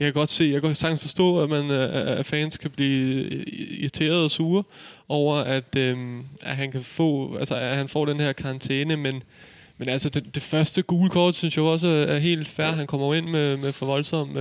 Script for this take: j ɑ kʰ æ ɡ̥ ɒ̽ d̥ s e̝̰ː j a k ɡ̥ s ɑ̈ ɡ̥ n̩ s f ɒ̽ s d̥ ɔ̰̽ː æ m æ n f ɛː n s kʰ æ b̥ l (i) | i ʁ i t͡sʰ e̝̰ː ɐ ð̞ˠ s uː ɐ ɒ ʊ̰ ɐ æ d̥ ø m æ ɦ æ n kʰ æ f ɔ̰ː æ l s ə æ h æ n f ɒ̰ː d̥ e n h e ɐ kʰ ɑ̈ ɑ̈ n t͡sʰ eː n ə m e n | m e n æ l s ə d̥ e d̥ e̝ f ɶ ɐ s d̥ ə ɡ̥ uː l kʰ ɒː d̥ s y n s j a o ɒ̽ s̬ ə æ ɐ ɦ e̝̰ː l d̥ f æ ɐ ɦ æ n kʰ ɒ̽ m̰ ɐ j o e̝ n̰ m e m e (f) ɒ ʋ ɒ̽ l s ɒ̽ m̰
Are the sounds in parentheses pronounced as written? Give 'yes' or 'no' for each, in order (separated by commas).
no, yes